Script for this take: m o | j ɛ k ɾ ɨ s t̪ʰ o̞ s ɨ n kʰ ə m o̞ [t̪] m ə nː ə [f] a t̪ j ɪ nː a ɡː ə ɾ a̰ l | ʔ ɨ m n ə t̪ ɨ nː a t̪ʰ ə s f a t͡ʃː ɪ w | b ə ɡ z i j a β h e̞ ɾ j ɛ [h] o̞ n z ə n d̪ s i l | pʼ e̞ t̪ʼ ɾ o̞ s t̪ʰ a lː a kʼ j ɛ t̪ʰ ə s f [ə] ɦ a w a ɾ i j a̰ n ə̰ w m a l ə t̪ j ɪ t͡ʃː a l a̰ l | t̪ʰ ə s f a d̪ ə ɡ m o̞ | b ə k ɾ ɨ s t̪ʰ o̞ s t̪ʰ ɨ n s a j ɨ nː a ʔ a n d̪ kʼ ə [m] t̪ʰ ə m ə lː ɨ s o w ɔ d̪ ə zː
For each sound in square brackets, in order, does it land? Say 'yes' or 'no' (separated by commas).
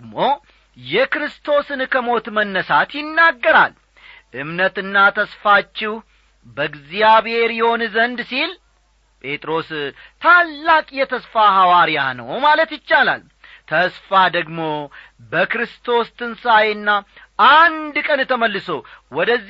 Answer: yes, no, yes, no, no